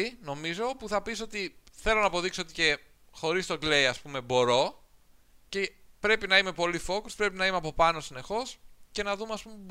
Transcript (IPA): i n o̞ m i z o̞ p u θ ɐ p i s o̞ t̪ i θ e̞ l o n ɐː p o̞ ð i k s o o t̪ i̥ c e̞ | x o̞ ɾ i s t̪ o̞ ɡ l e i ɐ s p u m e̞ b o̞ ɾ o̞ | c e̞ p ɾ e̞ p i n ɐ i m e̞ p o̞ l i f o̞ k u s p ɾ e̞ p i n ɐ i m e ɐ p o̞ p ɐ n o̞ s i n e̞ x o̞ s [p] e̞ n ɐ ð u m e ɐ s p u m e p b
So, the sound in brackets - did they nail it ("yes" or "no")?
no